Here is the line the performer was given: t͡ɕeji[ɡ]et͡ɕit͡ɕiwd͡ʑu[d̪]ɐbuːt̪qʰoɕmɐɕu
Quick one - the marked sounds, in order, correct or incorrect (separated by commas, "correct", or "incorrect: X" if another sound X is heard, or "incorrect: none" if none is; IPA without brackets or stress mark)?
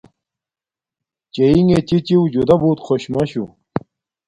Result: incorrect: ŋ, correct